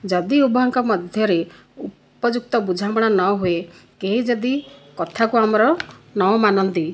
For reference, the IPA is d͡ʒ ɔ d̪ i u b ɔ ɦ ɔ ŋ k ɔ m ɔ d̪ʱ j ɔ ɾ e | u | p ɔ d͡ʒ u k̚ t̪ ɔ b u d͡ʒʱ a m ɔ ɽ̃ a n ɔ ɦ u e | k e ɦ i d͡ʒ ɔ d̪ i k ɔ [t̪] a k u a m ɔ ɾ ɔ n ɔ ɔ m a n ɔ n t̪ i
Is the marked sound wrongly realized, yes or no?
yes